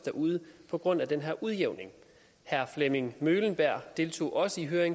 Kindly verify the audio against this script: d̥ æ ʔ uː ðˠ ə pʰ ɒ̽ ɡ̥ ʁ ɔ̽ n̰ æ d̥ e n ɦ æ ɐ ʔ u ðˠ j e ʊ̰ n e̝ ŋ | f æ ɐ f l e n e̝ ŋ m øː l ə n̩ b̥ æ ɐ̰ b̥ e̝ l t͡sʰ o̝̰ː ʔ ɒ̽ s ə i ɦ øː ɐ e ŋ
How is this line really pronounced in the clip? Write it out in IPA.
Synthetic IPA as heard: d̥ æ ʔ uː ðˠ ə pʰ ɒ̽ ɡ̥ ʁ ɔ̽ n̰ æ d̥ e n ɦ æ ɐ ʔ u ðˠ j e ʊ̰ n e̝ ŋ | h æ ɐ f l e m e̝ ŋ m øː l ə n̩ b̥ æ ɐ̰ d̥ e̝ l t͡sʰ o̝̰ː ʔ ɒ̽ s ə i ɦ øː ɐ e ŋ